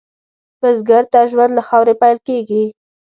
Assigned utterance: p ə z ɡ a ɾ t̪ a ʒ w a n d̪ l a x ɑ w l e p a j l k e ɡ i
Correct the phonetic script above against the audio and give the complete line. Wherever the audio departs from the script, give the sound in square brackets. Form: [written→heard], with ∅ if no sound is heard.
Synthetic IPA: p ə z ɡ a ɾ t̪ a ʒ w a n d̪ l a x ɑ w [l→ɾ] e p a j l k e ɡ i

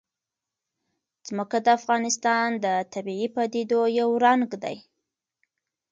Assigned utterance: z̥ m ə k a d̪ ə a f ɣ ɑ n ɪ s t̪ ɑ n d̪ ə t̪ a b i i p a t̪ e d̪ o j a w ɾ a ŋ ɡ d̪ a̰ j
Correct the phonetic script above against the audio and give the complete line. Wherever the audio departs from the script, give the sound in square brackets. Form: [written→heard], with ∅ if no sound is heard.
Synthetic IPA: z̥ m ə k a d̪ ə a f ɣ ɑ n ɪ s t̪ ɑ n d̪ ə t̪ a b i i p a [t̪→d̪] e d̪ o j a w ɾ a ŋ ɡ d̪ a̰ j

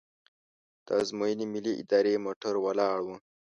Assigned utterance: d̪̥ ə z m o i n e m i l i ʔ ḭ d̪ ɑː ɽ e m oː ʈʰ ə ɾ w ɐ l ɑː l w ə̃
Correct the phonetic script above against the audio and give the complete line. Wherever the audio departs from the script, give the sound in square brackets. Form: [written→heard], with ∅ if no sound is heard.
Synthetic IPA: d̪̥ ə z m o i n [e→i] m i l i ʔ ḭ d̪ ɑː [ɽ→ɾ] e m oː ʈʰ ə ɾ w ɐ l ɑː [l→ɽ] w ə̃

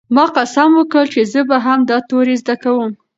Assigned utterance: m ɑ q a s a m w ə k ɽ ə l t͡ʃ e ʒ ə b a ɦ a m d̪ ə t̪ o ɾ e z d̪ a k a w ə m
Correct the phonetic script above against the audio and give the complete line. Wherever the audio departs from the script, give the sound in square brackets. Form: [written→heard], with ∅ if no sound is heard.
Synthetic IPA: m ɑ q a s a m w ə k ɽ ə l t͡ʃ e [ʒ→z] ə b a ɦ a m d̪ [ə→ɑ] t̪ o ɾ e z d̪ a k a w ə m

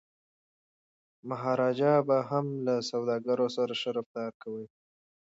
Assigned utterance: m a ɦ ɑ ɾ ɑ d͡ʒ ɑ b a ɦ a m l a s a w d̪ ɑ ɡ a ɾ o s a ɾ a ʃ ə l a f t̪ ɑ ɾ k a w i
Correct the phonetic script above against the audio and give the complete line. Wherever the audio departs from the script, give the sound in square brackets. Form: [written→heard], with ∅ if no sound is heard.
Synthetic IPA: m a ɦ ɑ ɾ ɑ d͡ʒ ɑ b a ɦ a m l a s a w d̪ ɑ ɡ a ɾ o s a ɾ a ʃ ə [l→ɾ] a f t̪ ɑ ɾ k a w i

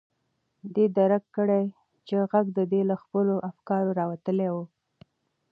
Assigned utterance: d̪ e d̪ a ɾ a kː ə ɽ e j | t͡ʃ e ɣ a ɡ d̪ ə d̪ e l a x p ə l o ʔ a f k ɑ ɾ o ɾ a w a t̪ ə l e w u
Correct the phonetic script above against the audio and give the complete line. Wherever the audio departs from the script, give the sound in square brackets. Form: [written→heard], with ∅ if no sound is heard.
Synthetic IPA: d̪ e d̪ a ɾ a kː ə ɽ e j | t͡ʃ e ɣ a ɡ d̪ ə d̪ e l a x p ə l o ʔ a f k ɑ ɾ o ɾ [a→ɑ] w a t̪ ə l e w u

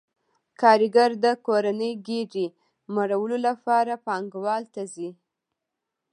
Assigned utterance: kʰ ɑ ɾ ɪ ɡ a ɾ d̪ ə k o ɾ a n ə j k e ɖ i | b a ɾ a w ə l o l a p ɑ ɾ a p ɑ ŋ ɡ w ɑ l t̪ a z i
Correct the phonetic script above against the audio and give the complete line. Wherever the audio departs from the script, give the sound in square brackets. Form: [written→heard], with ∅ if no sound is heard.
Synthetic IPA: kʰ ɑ ɾ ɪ ɡ a ɾ d̪ ə k o ɾ a n ə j [k→ɡ] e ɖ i | [b→m] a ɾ a w ə l o l a p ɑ ɾ a p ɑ ŋ ɡ w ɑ l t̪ a z i

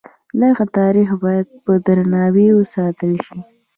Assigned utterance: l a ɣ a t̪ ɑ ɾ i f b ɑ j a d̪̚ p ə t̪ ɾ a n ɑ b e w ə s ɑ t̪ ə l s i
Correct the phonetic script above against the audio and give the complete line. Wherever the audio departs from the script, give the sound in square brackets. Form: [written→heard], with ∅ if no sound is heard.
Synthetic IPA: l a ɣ a t̪ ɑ ɾ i [f→x] b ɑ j a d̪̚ p ə [t̪→d̪] ɾ a n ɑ [b→w] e w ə s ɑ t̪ ə l [s→ʃ] i

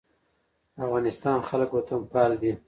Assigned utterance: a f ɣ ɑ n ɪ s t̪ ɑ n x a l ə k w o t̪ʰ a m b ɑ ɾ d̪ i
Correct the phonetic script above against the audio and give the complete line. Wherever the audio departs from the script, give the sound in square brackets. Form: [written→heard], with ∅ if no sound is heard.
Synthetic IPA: a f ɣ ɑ n ɪ s t̪ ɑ n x a l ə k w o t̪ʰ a m [b→p] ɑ [ɾ→l] d̪ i

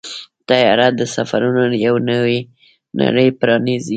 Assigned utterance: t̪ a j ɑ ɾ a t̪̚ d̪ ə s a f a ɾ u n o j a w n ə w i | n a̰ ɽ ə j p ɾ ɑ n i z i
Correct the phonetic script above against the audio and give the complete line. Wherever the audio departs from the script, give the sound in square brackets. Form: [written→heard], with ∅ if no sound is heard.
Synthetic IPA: t̪ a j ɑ ɾ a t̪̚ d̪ ə s a f a ɾ u n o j a w n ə w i | n a̰ ɽ ə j p ɾ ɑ n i z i

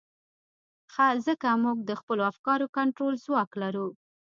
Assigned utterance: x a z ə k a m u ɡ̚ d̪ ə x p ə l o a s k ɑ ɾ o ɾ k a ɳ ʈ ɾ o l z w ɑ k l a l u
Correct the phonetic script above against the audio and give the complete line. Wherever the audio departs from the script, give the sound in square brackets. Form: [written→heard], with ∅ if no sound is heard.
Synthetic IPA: x a z ə k a m u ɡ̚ d̪ ə x p ə l o a [s→f] k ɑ ɾ o [ɾ→∅] k a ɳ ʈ ɾ o l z w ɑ k l a [l→ɾ] u

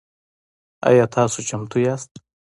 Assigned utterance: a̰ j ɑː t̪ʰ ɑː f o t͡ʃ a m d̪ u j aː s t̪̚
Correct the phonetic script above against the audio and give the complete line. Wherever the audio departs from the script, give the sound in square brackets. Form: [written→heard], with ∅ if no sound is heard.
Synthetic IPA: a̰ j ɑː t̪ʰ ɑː [f→s] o t͡ʃ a m [d̪→t̪] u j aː s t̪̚

